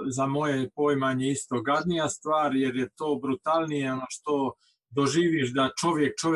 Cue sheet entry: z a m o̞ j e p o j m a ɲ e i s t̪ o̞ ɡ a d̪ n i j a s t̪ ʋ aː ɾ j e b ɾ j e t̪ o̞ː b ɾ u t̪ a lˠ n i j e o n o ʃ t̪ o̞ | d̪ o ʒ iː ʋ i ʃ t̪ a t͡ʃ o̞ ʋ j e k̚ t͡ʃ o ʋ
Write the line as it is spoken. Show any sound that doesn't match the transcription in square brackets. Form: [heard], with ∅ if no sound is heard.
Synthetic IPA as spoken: z a m o̞ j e p o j m a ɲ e i s t̪ o̞ ɡ a d̪ n i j a s t̪ ʋ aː ɾ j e [∅] ɾ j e t̪ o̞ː b ɾ u t̪ a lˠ n i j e o n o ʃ t̪ o̞ | d̪ o ʒ iː ʋ i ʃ [d̪] a t͡ʃ o̞ ʋ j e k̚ t͡ʃ o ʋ